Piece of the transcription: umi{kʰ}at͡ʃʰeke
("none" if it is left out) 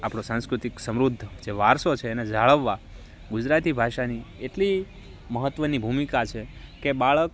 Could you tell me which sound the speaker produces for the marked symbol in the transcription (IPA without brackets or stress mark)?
k